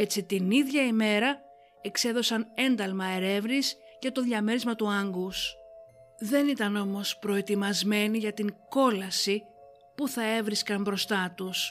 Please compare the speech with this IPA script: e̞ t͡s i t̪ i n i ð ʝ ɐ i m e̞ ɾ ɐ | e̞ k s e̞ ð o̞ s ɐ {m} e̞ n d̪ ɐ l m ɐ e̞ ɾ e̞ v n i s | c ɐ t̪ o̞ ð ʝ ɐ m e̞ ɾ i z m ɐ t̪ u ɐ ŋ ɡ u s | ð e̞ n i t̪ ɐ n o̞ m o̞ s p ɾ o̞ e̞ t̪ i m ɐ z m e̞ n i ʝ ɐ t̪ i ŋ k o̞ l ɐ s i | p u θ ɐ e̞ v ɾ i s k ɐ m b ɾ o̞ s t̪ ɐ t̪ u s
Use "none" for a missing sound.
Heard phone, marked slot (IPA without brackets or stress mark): n